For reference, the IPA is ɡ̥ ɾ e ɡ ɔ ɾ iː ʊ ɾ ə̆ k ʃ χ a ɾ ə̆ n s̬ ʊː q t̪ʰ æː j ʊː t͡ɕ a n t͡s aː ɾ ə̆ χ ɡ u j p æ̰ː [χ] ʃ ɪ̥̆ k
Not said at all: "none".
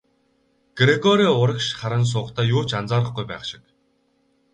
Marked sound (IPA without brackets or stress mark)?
χ